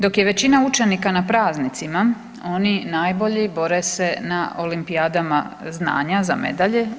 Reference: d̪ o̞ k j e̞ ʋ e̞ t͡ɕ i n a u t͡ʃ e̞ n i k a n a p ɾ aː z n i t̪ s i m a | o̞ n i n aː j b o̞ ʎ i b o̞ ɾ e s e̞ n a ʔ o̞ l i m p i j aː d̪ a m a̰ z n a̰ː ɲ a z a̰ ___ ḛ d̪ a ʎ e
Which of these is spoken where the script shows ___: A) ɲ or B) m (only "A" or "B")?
B